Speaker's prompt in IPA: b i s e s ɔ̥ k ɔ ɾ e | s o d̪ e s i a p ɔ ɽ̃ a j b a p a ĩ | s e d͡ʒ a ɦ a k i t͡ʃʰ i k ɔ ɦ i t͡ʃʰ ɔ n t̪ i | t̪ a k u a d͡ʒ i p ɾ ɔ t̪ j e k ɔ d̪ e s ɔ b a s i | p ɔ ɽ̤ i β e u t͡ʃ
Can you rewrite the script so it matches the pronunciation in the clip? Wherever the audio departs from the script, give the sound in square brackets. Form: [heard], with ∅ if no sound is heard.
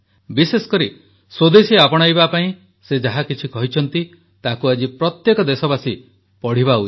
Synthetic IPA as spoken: b i s e s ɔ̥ k ɔ ɾ [i] | s o d̪ e s i a p ɔ ɽ̃ a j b a p a ĩ | s e d͡ʒ a ɦ a k i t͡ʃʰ i k ɔ ɦ i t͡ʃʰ ɔ n t̪ i | t̪ a k u a d͡ʒ i p ɾ ɔ t̪ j e k ɔ d̪ e s ɔ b a s i | p ɔ ɽ̤ i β [a] u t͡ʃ